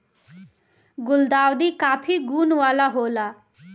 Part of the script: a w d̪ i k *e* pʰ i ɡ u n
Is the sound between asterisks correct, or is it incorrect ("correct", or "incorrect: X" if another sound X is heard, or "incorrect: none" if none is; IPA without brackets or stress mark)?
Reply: incorrect: a